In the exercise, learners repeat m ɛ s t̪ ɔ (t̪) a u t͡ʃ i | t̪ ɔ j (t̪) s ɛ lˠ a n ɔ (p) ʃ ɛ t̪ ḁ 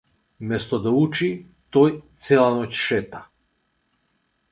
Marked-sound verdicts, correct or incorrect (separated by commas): incorrect, correct, incorrect